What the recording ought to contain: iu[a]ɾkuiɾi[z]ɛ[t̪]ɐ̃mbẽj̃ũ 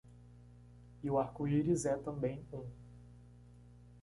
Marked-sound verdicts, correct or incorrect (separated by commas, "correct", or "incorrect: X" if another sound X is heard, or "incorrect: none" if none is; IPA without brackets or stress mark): correct, correct, correct